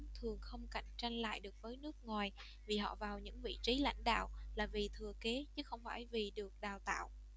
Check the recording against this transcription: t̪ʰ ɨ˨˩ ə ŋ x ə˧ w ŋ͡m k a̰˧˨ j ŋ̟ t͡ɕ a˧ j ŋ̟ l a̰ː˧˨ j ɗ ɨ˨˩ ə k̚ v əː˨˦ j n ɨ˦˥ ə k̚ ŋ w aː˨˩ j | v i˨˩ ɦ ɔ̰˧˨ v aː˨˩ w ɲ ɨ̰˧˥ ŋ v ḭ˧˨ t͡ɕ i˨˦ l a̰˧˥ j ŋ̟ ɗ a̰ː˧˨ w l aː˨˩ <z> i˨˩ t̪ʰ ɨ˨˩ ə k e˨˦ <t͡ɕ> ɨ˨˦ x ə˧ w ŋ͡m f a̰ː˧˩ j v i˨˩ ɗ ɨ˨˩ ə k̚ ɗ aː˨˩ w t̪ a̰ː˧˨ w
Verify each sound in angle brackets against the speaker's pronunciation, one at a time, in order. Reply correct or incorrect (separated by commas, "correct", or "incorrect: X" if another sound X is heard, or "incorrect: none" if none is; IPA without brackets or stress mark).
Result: incorrect: v, correct